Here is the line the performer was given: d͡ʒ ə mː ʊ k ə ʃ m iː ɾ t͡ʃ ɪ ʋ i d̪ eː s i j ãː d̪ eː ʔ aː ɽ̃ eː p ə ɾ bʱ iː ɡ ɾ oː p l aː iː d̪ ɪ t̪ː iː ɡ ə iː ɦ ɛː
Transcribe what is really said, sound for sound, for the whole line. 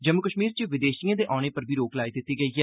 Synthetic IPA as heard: d͡ʒ ə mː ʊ k ə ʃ m iː ɾ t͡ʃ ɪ ʋ ɪ d̪ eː ʃ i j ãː d̪ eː ʔ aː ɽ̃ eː p ə ɾ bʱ iː ɾ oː k l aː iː d̪ ɪ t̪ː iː ɡ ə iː ɦ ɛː